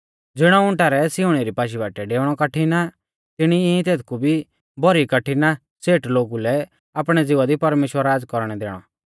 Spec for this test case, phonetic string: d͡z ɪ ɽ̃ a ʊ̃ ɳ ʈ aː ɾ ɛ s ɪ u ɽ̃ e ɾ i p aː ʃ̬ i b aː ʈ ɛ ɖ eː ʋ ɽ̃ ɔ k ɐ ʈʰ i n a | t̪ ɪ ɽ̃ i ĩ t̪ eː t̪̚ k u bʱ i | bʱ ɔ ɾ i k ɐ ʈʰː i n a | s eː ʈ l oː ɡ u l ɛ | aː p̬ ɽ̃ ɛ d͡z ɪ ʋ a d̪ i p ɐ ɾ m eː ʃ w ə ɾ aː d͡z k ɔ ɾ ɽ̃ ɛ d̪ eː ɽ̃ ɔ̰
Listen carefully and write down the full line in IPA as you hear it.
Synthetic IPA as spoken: d͡z ɪ ɽ̃ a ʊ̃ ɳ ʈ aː ɾ ɛ s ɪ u ɽ̃ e ɾ i p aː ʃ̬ i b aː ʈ ɛ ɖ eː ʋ ɽ̃ ɔ k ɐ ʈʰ i n a | t̪ ɪ ɽ̃ i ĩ t̪ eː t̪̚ k u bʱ i | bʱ ɔ ɾ i k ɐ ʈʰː i n a | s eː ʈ l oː ɡ u l ɛ | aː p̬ ɽ̃ ɛ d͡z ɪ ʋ a d̪ i p ɐ ɾ m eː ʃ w ə ɾ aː d͡z k ɔ ɾ ɽ̃ ɛ d̪ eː ɽ̃ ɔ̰